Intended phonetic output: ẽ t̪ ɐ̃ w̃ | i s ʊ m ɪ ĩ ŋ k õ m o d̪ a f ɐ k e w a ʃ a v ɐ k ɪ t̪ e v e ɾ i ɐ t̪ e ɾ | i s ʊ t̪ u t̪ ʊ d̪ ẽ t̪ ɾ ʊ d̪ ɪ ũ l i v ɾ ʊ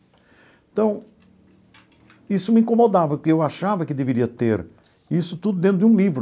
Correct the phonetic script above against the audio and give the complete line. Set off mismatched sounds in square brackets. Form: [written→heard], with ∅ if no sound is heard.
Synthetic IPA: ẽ t̪ ɐ̃ w̃ | i s ʊ m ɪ ĩ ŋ k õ m o d̪ a [f→v] ɐ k e w a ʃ a v ɐ k ɪ [t̪→d̪] e v e ɾ i ɐ t̪ e ɾ | i s ʊ t̪ u [t̪→d̪] ʊ d̪ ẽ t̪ ɾ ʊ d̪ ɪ ũ l i v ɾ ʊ